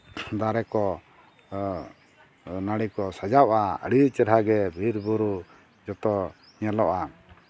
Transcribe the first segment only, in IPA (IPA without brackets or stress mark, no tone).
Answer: d̪